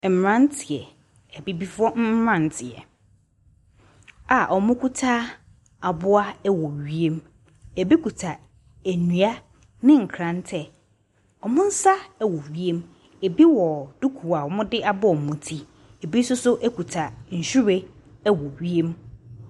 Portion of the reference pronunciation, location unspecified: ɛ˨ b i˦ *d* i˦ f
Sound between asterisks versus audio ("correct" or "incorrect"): incorrect